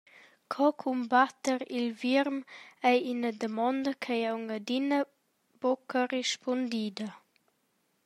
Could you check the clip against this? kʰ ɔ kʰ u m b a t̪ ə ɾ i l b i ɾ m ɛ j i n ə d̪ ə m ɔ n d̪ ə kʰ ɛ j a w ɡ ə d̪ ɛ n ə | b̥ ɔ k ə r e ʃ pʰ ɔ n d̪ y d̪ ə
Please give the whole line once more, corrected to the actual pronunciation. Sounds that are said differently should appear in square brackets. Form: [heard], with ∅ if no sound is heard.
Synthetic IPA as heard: kʰ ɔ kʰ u m b a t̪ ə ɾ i l [v] i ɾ m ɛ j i n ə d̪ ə m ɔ n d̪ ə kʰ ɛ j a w [ŋ] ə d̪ [i] n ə | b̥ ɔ k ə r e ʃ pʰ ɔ n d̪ [i] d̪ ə